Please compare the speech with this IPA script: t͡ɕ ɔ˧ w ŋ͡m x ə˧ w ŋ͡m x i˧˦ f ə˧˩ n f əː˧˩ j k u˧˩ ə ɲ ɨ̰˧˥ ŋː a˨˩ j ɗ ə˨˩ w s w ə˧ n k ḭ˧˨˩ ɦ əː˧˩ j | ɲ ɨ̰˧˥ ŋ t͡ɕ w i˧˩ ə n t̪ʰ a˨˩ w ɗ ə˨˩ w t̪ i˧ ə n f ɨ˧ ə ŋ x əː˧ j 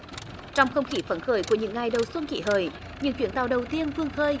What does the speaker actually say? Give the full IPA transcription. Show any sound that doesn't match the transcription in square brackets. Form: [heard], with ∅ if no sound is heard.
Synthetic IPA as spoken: t͡ɕ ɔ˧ w ŋ͡m x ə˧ w ŋ͡m x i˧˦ f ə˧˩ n [x] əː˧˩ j k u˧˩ ə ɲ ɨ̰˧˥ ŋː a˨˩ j ɗ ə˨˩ w s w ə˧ n k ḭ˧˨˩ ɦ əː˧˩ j | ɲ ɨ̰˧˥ ŋ t͡ɕ w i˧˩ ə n [t̪] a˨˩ w ɗ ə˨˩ w t̪ i˧ ə n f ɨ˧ ə ŋ x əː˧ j